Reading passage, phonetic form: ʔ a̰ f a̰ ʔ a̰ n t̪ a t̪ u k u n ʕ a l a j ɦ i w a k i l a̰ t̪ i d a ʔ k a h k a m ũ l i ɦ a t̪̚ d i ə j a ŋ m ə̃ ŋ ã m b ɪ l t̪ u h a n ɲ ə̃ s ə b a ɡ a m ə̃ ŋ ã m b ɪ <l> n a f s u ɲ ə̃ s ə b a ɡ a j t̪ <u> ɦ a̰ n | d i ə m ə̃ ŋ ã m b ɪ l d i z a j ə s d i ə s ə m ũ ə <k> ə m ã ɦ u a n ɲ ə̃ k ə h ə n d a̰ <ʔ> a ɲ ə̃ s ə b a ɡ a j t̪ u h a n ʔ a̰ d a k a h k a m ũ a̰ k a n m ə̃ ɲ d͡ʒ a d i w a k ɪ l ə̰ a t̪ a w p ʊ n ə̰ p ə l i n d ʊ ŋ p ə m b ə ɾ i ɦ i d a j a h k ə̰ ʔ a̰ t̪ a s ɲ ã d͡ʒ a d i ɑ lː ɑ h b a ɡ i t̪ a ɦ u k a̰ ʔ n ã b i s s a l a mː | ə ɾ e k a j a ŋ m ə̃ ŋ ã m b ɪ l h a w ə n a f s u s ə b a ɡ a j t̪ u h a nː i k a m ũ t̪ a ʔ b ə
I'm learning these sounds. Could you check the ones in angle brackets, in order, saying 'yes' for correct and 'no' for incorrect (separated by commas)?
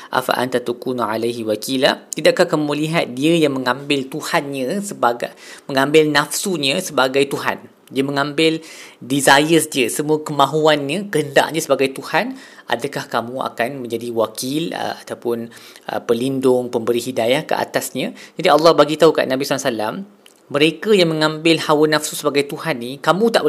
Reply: yes, yes, yes, yes